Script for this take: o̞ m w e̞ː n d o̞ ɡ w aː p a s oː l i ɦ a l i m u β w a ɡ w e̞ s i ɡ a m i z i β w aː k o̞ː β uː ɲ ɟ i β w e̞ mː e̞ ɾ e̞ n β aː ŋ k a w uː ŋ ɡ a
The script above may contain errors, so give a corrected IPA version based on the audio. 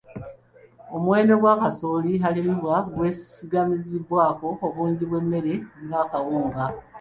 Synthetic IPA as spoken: o̞ m w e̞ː n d o̞ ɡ w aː k a s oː l i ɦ a l i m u β w a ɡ w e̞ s i ɡ a m i z i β w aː k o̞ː β uː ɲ ɟ i β w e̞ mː e̞ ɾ e̞ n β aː k a w uː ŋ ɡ a